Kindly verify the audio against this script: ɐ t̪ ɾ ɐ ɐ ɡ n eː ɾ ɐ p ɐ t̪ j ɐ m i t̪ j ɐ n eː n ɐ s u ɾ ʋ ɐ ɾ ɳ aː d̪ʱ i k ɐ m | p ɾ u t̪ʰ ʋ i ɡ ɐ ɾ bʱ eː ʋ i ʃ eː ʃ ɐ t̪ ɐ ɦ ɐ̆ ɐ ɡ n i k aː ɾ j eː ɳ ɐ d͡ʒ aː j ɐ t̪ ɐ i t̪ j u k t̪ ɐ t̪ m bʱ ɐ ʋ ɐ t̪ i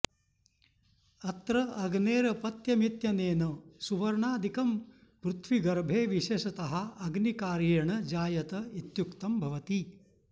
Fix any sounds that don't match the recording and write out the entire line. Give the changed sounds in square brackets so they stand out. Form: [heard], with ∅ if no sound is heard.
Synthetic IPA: ɐ t̪ ɾ ɐ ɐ ɡ n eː ɾ ɐ p ɐ t̪ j ɐ m i t̪ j ɐ n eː n ɐ s u [∅] ʋ ɐ ɾ ɳ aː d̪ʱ i k ɐ m | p ɾ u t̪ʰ ʋ i ɡ ɐ ɾ bʱ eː ʋ i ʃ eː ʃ ɐ t̪ ɐ ɦ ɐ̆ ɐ ɡ n i k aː ɾ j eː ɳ ɐ d͡ʒ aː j ɐ t̪ ɐ i t̪ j u k t̪ ɐ [∅] m bʱ ɐ ʋ ɐ t̪ i